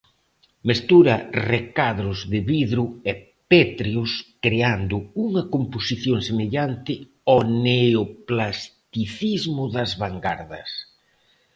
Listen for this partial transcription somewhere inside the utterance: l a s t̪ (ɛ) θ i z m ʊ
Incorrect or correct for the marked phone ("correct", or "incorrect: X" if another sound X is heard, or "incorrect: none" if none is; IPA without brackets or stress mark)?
incorrect: i